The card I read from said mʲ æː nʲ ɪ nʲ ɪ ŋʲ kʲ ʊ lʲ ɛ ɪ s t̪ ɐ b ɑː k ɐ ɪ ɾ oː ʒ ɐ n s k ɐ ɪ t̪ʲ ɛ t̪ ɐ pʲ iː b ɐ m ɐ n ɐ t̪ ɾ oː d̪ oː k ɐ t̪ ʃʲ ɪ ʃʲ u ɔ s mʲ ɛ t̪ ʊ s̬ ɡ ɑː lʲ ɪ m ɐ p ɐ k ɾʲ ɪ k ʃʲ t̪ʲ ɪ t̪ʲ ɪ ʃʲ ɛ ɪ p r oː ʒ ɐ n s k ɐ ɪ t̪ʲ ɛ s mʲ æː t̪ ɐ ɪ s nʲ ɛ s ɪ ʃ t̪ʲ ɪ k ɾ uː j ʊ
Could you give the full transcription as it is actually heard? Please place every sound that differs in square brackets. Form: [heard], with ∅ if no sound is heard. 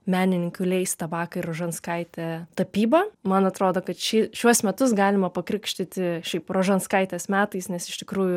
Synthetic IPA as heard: mʲ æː nʲ ɪ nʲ ɪ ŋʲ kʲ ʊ lʲ ɛ ɪ s t̪ ɐ b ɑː k ɐ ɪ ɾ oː ʒ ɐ n s k ɐ ɪ t̪ʲ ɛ t̪ ɐ pʲ iː b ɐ m ɐ n ɐ t̪ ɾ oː d̪ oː k ɐ t̪ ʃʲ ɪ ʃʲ u ɔ s mʲ ɛ t̪ ʊ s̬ ɡ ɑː lʲ ɪ m ɐ p ɐ k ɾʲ ɪ k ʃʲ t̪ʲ ɪ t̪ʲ ɪ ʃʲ ɛ ɪ p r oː ʒ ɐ n s k ɐ ɪ t̪ʲ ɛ s mʲ æː t̪ ɐ ɪ s nʲ ɛ s ɪ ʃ t̪ʲ ɪ k ɾ uː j ʊ